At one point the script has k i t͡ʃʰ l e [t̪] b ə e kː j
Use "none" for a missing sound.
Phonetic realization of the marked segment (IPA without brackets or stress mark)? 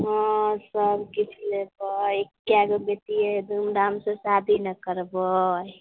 none